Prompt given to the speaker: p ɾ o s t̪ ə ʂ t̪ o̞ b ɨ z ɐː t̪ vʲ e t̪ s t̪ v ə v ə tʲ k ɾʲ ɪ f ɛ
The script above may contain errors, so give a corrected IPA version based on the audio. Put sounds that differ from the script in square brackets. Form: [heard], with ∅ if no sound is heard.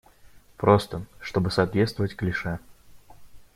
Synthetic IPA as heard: p ɾ o s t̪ ə ʂ t̪ o̞ b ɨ [s] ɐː t̪ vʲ e t̪ s t̪ v ə v ə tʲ k [lʲ] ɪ [ʂ] ɛ

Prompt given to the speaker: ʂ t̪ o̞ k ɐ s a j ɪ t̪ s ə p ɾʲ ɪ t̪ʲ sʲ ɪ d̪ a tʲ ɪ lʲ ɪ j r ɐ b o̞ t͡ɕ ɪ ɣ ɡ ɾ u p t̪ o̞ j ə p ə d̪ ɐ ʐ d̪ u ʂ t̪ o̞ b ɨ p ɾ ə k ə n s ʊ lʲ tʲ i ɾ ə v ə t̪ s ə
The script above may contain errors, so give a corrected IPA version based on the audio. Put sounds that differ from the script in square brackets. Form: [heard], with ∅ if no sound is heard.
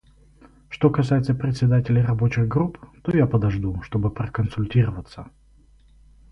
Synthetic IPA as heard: ʂ t̪ o̞ k ɐ s a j ɪ t̪ s ə p ɾʲ ɪ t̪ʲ sʲ ɪ d̪ a tʲ ɪ lʲ ɪ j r ɐ b o̞ t͡ɕ ɪ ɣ ɡ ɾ u p t̪ o̞ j [a] p ə d̪ ɐ ʐ d̪ u ʂ t̪ o̞ b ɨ p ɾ ə k ə n s ʊ lʲ tʲ i ɾ ə v ə t̪ s ə

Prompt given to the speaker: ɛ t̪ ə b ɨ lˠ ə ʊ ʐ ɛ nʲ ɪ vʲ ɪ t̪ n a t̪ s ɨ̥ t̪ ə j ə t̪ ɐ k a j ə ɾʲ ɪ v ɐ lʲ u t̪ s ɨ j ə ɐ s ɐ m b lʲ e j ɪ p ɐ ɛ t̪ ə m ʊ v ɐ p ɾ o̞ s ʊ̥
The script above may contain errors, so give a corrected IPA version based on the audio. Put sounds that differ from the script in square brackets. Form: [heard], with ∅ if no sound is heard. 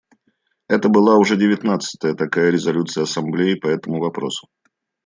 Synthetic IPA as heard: ɛ t̪ ə b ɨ lˠ [a] ʊ ʐ ɛ [dʲ] ɪ vʲ ɪ t̪ n a t̪ s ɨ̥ t̪ ə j ə t̪ ɐ k a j ə ɾʲ ɪ [z] ɐ lʲ u t̪ s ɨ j ə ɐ s ɐ m b lʲ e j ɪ p ɐ ɛ t̪ ə m ʊ v ɐ p ɾ o̞ s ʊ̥

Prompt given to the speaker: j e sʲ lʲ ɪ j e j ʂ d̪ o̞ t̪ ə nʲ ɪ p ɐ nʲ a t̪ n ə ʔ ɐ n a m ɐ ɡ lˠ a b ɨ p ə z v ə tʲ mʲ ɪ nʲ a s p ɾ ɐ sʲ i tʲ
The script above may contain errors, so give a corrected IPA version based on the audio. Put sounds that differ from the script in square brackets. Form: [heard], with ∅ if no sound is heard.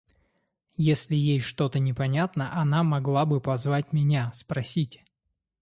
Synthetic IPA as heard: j e sʲ lʲ ɪ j e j ʂ [t̪] o̞ t̪ ə nʲ ɪ p ɐ nʲ a t̪ n ə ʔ ɐ n a m ɐ ɡ lˠ a b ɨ p [ɐ] z v [a] tʲ mʲ ɪ nʲ a s p ɾ ɐ sʲ i tʲ

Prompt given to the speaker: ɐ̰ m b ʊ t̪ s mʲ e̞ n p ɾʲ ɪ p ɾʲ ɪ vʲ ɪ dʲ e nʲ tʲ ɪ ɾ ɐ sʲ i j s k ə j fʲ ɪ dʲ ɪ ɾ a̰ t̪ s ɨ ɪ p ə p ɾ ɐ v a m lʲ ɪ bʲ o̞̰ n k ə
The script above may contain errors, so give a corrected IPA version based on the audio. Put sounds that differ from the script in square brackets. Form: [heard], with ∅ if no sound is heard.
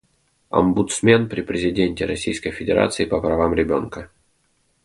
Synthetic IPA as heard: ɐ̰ m b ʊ t̪ s mʲ e̞ n p ɾʲ ɪ p ɾʲ ɪ [zʲ] ɪ dʲ e nʲ tʲ ɪ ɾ ɐ sʲ i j s k ə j fʲ ɪ dʲ ɪ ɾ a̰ t̪ s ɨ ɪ p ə p ɾ ɐ v a m [ɾʲ] ɪ bʲ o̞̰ n k ə

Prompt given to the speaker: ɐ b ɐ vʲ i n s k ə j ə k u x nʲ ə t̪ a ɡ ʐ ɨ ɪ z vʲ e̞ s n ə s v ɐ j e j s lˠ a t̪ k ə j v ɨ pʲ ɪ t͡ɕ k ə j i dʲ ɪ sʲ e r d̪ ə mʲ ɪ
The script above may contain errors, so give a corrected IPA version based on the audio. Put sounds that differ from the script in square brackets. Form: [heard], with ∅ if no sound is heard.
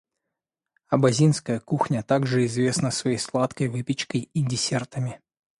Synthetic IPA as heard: ɐ b ɐ [zʲ] i n s k ə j ə k u x nʲ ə t̪ a ɡ ʐ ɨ ɪ z vʲ e̞ s n ə s v ɐ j e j s lˠ a t̪ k ə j v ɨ pʲ ɪ t͡ɕ k ə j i dʲ ɪ sʲ e r [t̪] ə mʲ ɪ

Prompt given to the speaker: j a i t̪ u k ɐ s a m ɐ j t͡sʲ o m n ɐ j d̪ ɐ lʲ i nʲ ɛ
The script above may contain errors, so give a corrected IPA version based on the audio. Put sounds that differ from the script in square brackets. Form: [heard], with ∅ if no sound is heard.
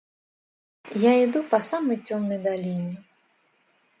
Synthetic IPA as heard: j a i [d̪] u [p] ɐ s a m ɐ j t͡sʲ [ɔ] m n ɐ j d̪ [a] lʲ i nʲ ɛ

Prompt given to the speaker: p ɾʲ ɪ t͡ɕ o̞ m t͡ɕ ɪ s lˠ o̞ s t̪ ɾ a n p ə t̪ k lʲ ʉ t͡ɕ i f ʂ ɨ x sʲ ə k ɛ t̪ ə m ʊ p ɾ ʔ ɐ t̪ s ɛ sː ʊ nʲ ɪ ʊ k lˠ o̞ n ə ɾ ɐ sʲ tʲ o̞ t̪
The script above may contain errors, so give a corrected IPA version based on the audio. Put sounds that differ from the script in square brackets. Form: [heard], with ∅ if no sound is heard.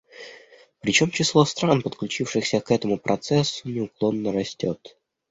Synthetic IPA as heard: p ɾʲ ɪ t͡ɕ o̞ m t͡ɕ ɪ s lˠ o̞ s t̪ ɾ a n p ə t̪ k lʲ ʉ t͡ɕ i f ʂ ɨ x sʲ ə k ɛ t̪ ə m ʊ p ɾ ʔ ɐ t̪ s ɛ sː ʊ nʲ ɪ ʊ k lˠ o̞ [nː] ə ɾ ɐ sʲ tʲ o̞ t̪

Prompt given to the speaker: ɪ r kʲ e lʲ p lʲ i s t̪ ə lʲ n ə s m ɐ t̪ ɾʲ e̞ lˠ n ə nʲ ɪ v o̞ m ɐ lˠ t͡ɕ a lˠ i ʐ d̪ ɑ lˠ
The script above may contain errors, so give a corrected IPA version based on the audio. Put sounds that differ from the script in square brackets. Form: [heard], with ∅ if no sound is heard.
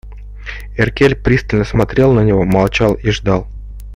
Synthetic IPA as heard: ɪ r kʲ e lʲ p [ɾʲ] i s t̪ ə lʲ n ə s m ɐ t̪ ɾʲ e̞ lˠ n ə nʲ ɪ v o̞ m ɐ lˠ t͡ɕ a lˠ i ʐ d̪ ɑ lˠ

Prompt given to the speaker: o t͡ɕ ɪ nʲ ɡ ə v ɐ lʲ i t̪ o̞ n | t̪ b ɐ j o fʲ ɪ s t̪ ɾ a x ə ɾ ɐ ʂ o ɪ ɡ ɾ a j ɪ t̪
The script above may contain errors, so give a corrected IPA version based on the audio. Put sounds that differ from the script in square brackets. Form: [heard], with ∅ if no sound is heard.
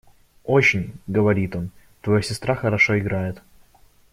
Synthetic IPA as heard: o t͡ɕ ɪ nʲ ɡ ə v ɐ [ɾʲ] i t̪ o̞ n | t̪ [v] ɐ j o [sʲ] ɪ s t̪ ɾ a x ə ɾ ɐ ʂ o ɪ ɡ ɾ a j ɪ t̪

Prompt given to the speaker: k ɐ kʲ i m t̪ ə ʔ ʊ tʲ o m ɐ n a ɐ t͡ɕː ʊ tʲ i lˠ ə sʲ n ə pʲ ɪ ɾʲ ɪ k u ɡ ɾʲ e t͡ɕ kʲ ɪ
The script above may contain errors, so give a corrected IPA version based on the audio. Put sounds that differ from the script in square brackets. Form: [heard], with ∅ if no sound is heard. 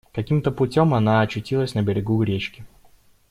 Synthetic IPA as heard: k ɐ kʲ i m t̪ ə [p] ʊ tʲ o m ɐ n a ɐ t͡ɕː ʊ tʲ i lˠ ə sʲ n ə [bʲ] ɪ ɾʲ ɪ [ɡ] u ɡ ɾʲ e t͡ɕ kʲ ɪ

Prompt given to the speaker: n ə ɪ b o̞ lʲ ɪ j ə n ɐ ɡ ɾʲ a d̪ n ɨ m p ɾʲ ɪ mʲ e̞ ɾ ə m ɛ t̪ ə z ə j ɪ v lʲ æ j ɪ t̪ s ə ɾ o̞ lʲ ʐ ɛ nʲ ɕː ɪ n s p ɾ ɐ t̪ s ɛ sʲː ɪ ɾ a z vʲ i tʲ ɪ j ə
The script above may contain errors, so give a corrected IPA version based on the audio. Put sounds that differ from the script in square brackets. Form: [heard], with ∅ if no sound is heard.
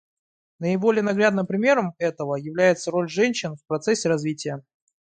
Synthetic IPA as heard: n ə ɪ b o̞ lʲ ɪ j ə n ɐ ɡ ɾʲ a d̪ n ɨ m p ɾʲ ɪ mʲ e̞ ɾ ə m ɛ t̪ ə [v] ə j ɪ v lʲ æ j ɪ t̪ s ə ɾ o̞ lʲ ʐ ɛ nʲ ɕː ɪ n [f] p ɾ ɐ t̪ s ɛ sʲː ɪ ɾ [ɐ] z vʲ i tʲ ɪ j ə

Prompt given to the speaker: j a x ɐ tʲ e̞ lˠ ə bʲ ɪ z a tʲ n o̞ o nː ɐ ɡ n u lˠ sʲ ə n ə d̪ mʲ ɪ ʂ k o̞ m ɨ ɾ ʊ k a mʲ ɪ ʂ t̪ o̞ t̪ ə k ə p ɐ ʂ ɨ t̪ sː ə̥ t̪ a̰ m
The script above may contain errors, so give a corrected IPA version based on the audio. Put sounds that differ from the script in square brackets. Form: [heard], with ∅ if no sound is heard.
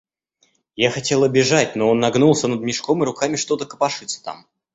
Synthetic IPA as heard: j a x ɐ tʲ e̞ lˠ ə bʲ ɪ [ʐ] a tʲ n o̞ o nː ɐ ɡ n u lˠ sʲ ə n ə d̪ mʲ ɪ ʂ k o̞ m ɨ ɾ ʊ k a mʲ ɪ ʂ t̪ o̞ t̪ ə k ə p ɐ ʂ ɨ t̪ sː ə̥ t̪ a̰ m

